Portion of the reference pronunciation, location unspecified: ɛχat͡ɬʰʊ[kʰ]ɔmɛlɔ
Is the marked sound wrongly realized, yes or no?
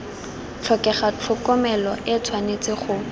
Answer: yes